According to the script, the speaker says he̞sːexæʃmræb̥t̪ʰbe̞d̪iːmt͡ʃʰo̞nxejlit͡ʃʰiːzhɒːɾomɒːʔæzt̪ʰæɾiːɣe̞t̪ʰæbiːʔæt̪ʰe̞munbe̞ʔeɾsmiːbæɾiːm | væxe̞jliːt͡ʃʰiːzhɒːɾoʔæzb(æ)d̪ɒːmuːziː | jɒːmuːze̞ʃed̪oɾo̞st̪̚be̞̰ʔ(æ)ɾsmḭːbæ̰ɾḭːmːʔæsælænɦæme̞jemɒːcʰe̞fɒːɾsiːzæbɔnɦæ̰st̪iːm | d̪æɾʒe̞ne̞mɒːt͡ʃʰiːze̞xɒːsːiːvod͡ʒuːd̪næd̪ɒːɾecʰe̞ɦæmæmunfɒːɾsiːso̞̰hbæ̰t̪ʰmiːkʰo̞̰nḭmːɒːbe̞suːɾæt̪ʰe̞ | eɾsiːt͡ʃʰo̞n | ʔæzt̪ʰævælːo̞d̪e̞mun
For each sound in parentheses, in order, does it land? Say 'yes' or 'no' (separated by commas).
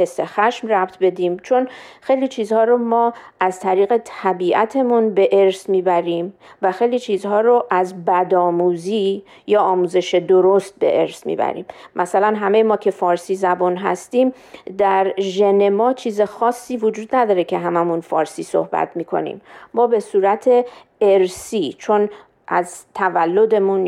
yes, no